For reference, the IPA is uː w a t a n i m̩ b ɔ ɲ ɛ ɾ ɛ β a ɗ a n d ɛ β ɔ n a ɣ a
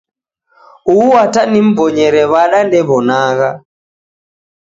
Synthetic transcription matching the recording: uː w a t a n i m̩ b ɔ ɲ ɛ ɾ ɛ β a ɗ a n d ɛ β ɔ n a ɣ a